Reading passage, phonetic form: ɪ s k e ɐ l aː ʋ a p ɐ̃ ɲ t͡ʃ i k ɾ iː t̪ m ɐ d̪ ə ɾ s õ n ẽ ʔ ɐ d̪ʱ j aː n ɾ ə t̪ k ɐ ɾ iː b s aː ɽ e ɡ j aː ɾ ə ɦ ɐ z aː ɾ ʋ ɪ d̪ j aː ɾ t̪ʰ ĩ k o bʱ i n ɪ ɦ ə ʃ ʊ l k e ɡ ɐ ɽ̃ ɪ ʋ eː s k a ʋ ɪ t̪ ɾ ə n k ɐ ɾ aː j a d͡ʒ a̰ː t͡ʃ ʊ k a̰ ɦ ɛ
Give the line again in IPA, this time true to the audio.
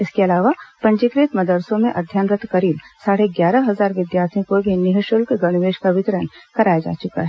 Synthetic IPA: ɪ s k e ɐ l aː ʋ a p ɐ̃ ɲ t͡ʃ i k ɾ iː t̪ m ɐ d̪ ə ɾ s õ m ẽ ʔ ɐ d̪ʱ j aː n ɾ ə t̪ k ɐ ɾ iː b s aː ɽ e ɡ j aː ɾ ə ɦ ɐ z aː ɾ ʋ ɪ d̪ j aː ɾ t̪ʰ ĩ k o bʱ i n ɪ ɦ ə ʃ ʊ l k e ɡ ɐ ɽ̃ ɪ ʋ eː ʃ k a ʋ ɪ t̪ ɾ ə n k ɐ ɾ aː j a d͡ʒ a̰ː t͡ʃ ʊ k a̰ ɦ ɛ